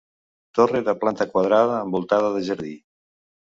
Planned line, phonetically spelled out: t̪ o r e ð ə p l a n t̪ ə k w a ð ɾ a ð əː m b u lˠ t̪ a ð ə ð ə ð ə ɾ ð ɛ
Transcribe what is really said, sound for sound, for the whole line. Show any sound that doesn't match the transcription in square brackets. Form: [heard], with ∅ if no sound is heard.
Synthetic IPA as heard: t̪ o r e ð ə p l a n t̪ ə k w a ð ɾ a ð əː m b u lˠ t̪ a ð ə ð ə [ʒ] ə ɾ ð [i]